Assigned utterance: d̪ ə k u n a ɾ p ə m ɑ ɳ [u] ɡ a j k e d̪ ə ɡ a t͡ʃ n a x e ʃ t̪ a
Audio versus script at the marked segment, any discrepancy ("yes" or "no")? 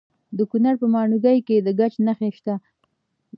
no